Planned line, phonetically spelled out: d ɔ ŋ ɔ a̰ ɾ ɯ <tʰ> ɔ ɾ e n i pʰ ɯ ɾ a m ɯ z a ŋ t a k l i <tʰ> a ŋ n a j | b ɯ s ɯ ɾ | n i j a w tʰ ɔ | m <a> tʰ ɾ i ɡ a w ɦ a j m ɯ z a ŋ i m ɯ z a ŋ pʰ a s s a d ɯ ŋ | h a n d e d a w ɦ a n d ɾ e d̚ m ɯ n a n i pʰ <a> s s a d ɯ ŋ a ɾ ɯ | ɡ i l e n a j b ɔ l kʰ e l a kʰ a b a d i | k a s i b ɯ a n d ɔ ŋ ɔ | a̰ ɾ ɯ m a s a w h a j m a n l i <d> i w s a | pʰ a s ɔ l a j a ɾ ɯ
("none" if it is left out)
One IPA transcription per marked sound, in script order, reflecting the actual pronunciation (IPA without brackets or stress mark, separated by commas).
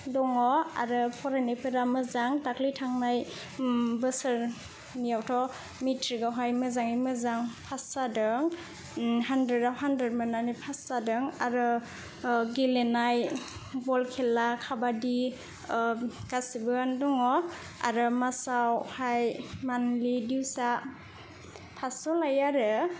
pʰ, tʰ, i, a, d